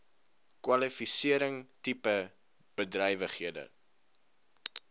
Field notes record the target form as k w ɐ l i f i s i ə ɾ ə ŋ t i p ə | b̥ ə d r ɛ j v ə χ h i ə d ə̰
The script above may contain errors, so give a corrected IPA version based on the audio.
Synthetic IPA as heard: k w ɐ l i f i s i ə ɾ ə ŋ t i p ə | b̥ ə d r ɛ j v ə χ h i ə d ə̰